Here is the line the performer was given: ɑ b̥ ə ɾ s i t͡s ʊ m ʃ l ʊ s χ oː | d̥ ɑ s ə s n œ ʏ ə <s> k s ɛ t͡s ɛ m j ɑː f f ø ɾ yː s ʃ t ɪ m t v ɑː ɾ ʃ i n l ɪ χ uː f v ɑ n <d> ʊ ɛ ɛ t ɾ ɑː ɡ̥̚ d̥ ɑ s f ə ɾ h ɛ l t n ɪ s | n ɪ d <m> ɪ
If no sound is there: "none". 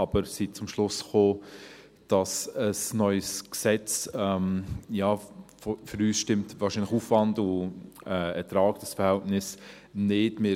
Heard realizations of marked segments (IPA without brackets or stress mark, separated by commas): s, d, m